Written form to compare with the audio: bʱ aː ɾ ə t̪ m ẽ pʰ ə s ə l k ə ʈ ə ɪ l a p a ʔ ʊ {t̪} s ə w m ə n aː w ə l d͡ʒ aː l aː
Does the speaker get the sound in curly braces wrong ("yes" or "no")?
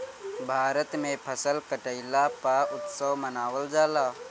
no